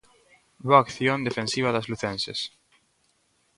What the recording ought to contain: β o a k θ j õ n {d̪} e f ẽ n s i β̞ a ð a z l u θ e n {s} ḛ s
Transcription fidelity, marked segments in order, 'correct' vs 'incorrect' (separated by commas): correct, correct